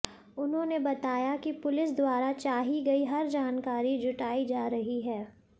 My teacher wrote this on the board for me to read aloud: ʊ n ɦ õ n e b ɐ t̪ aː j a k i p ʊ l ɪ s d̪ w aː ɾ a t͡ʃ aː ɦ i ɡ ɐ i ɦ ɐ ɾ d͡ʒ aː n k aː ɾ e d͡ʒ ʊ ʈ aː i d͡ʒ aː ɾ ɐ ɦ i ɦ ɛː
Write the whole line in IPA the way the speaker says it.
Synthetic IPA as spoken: ʊ n ɦ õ n e b ɐ t̪ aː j a k i p ʊ l ɪ s d̪ w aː ɾ a t͡ʃ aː ɦ i ɡ ɐ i ɦ ɐ ɾ d͡ʒ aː n k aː ɾ i d͡ʒ ʊ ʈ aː i d͡ʒ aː ɾ ɐ ɦ i ɦ ɛː